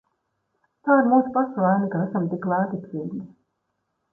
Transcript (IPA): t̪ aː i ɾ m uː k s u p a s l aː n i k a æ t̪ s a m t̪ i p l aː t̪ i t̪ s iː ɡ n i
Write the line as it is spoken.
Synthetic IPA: t̪ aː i ɾ m uː s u p a s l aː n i k a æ s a m t̪ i k l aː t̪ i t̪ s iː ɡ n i